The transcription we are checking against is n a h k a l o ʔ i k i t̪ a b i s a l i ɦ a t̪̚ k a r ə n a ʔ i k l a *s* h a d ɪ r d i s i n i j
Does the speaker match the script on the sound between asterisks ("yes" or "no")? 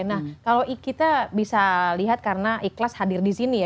yes